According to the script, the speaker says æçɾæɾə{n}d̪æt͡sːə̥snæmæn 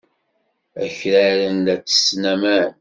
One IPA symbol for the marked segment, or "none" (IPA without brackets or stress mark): n